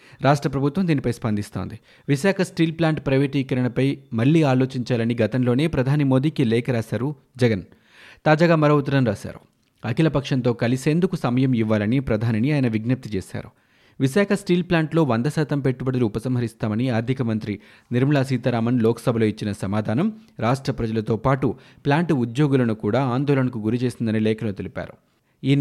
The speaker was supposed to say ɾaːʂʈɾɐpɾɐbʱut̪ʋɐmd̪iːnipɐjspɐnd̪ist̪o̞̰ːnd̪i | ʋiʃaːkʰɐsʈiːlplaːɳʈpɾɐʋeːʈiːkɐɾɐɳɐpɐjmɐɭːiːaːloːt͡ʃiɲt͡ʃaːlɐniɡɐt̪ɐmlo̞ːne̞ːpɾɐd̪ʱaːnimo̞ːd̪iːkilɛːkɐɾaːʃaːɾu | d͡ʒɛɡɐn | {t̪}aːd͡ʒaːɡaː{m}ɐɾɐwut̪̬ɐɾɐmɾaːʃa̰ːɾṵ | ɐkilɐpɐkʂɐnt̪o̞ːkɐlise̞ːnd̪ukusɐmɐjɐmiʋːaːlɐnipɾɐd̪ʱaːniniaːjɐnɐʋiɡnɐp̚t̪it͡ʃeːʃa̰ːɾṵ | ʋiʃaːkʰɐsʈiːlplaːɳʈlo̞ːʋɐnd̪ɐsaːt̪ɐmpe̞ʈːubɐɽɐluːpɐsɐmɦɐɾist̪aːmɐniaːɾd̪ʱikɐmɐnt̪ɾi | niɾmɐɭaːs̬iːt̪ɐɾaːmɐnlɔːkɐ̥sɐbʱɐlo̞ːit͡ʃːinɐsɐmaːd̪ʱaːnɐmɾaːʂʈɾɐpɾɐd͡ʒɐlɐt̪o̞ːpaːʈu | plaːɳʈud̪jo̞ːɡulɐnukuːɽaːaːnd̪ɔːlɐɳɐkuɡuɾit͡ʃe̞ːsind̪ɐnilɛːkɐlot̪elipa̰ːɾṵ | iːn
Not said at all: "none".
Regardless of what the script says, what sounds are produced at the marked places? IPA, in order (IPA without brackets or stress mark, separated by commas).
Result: t̪, m